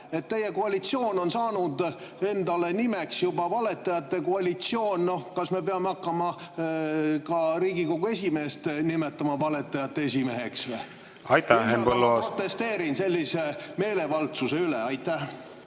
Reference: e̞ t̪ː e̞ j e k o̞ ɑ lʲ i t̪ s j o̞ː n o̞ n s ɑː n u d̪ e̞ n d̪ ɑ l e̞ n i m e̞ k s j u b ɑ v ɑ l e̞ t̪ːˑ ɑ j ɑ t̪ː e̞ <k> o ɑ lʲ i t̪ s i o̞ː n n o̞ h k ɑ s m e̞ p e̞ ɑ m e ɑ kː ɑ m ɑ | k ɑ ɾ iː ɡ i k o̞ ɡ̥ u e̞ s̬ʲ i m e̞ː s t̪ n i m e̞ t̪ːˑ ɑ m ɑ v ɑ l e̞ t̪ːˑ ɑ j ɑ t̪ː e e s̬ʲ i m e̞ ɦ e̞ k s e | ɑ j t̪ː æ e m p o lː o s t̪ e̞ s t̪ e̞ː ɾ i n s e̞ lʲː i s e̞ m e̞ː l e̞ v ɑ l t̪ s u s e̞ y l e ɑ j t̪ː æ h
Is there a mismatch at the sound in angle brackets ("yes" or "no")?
no